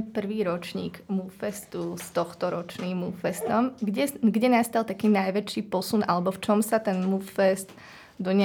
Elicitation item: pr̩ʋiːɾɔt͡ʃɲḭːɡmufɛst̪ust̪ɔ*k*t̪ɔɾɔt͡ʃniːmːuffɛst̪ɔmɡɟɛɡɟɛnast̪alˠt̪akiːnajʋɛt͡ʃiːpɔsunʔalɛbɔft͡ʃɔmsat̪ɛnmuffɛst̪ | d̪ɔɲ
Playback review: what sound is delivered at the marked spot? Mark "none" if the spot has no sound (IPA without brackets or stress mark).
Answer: x